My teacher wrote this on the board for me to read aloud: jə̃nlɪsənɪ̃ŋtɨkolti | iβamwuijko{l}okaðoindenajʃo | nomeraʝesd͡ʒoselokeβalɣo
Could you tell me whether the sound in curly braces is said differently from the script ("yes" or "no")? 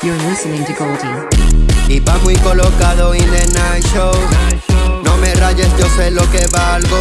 no